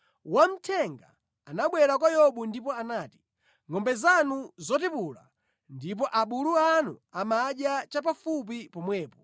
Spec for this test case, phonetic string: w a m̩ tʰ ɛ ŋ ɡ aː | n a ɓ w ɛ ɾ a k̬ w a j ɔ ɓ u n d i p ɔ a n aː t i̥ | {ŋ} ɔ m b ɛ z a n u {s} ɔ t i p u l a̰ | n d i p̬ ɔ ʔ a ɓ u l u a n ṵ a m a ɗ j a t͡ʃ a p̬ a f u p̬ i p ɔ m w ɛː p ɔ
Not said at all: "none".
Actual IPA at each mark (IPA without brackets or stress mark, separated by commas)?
ŋ, z